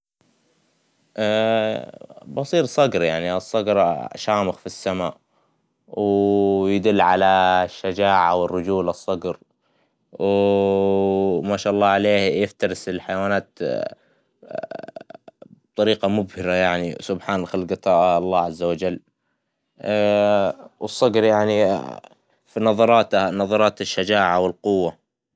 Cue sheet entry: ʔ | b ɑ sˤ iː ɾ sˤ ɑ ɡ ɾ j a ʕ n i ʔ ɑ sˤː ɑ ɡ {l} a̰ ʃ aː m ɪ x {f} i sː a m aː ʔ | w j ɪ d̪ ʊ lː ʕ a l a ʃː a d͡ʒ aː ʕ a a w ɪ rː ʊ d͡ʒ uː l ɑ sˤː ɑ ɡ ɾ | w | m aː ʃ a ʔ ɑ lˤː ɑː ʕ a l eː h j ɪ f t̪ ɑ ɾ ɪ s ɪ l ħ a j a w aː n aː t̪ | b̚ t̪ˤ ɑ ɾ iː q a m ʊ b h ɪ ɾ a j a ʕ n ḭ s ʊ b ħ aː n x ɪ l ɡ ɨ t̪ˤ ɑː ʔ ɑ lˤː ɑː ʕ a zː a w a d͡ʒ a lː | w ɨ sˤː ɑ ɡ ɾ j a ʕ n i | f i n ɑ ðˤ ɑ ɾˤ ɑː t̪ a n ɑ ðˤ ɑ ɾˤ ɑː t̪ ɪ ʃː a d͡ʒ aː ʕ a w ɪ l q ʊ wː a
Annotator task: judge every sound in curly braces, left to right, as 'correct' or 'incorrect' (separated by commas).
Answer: incorrect, correct